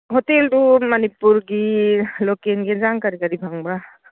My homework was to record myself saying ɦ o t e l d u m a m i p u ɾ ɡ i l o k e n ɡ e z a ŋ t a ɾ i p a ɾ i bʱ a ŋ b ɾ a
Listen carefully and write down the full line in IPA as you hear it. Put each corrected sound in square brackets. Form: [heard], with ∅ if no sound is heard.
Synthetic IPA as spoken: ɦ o t e l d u m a [n] i p u ɾ ɡ i l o k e n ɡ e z a ŋ [k] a ɾ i [k] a ɾ i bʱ a ŋ b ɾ a